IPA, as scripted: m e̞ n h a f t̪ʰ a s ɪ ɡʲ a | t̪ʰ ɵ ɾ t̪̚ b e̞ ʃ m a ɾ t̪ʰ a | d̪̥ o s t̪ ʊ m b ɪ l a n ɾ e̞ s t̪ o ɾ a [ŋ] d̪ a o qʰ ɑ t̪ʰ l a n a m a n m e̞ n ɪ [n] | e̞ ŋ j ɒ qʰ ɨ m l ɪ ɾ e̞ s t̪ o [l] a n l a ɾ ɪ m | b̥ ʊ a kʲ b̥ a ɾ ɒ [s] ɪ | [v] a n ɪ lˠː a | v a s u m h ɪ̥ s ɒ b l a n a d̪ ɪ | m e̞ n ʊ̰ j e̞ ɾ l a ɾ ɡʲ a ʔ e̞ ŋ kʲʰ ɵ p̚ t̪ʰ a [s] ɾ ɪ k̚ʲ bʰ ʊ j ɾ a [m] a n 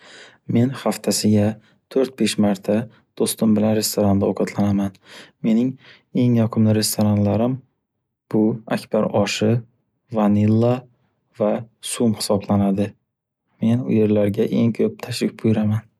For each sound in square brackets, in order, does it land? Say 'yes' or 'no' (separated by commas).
no, no, no, no, yes, no, yes